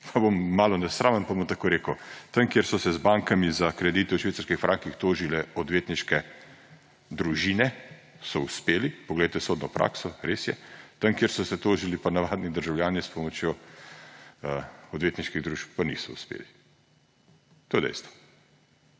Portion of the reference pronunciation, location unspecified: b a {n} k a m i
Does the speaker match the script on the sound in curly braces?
no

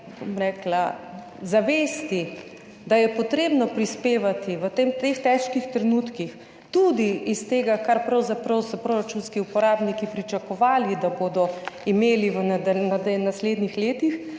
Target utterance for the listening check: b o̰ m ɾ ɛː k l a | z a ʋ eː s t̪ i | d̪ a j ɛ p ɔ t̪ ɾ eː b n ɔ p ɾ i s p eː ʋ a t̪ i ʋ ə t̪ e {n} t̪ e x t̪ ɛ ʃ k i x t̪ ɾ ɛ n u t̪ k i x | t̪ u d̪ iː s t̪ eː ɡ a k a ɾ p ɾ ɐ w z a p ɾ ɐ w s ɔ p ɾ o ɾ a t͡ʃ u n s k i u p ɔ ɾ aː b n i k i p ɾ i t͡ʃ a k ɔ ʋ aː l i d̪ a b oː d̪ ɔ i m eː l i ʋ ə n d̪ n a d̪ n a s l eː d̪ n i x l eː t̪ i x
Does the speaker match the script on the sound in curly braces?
no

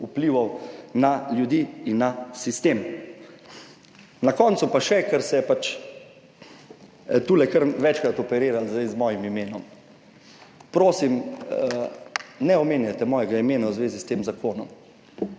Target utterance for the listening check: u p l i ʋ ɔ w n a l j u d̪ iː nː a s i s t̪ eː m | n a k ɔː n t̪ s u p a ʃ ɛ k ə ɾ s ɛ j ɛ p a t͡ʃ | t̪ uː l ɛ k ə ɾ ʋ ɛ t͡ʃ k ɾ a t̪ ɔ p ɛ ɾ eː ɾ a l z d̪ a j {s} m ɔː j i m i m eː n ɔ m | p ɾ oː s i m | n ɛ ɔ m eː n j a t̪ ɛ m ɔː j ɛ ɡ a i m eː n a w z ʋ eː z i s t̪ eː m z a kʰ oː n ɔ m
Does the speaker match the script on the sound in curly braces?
no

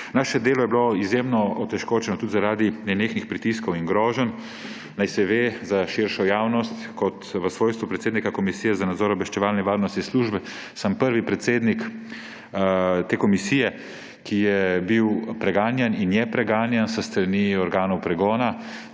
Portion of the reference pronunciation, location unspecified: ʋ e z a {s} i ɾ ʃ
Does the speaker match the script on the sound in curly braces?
no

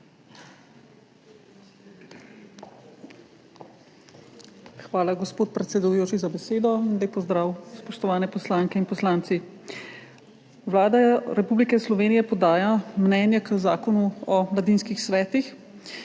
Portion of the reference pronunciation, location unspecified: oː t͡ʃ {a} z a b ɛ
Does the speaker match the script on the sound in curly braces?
no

